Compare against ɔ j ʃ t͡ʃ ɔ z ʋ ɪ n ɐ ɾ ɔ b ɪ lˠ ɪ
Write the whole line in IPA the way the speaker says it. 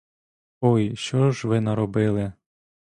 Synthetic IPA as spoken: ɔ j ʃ t͡ʃ ɔ ʒ ʋ ɪ n ɐ ɾ ɔ b ɪ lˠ ɪ